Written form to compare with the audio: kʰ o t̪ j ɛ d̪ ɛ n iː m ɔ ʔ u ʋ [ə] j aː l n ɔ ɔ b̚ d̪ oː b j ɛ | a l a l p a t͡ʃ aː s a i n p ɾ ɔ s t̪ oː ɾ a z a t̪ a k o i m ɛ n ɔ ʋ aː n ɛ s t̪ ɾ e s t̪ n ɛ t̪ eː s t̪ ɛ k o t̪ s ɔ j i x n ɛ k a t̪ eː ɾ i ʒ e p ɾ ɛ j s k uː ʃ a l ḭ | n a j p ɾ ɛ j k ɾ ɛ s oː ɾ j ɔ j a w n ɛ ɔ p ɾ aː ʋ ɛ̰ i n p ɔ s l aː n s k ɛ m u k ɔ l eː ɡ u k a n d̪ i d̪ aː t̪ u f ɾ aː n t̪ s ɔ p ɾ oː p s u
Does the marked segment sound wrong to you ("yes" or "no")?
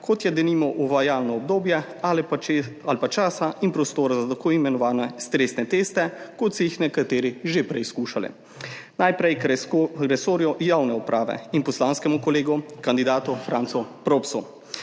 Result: yes